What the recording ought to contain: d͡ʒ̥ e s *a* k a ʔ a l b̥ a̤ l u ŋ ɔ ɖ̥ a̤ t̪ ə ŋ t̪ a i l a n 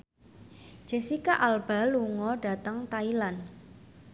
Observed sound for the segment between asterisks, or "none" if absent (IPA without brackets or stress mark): i